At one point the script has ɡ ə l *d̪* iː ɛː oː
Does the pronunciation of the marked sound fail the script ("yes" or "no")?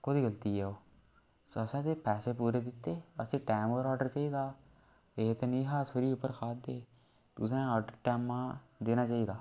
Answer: yes